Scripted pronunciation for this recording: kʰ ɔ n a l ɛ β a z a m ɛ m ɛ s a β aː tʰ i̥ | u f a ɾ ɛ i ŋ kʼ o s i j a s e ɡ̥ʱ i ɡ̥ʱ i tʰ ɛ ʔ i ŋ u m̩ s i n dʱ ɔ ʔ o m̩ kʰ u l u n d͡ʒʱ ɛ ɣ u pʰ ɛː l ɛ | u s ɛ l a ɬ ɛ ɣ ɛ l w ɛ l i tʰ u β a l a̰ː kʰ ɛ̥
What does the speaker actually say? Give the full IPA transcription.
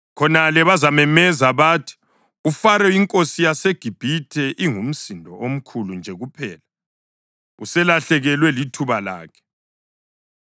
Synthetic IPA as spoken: kʰ ɔ n a l ɛ β a z a m ɛ m ɛ z a β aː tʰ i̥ | u f a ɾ ɛ i ŋ kʼ o s i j a s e ɡ̥ʱ i b̥ʱ i tʰ ɛ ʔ i ŋ u m̩ s i n dʱ ɔ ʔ o m̩ kʰ u l u n d͡ʒʱ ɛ ɣ u pʰ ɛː l a | u s ɛ l a ɬ ɛ ɣ ɛ l w ɛ l i tʰ u β a l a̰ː kʰ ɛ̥